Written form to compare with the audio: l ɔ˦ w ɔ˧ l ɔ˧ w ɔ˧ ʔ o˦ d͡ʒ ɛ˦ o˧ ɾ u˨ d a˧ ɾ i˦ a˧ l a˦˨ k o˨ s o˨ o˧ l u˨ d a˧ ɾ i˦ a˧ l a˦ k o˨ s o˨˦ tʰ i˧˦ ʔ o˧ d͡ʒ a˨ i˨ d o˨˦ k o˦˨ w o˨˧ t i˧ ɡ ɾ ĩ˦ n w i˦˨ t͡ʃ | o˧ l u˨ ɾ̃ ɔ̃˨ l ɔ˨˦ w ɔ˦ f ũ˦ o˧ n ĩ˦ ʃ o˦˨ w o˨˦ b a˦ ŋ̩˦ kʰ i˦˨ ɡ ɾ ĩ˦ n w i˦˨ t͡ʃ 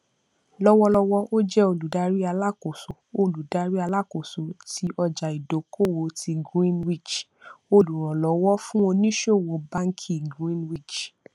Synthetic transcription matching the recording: l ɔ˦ w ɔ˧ l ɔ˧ w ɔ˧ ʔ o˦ d͡ʒ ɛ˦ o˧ l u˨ d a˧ ɾ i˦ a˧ l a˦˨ k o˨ s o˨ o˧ l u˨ d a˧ ɾ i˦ a˧ l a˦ k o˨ s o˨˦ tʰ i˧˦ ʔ ɔ˧ d͡ʒ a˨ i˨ d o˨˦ k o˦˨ w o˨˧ t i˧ ɡ ɾ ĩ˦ n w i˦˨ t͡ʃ | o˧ l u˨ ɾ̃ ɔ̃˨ l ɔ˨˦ w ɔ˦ f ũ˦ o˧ n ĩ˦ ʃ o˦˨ w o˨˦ b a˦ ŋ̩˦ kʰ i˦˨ ɡ ɾ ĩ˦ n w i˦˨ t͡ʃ